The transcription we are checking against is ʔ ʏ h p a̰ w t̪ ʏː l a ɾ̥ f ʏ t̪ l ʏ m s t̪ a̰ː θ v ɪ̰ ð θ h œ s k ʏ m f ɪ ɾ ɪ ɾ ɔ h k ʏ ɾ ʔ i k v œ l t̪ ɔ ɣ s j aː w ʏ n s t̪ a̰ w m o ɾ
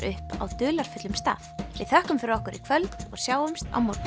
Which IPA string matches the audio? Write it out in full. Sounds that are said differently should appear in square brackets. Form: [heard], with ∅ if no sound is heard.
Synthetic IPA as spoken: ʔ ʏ h p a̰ w t̪ ʏː l a ɾ̥ f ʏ t̪ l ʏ m s t̪ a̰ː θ v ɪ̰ ð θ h œ [h] k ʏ m f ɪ ɾ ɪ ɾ ɔ h k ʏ ɾ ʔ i [kʰ] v œ l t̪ ɔ ɣ s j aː w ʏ [m] s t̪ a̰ w m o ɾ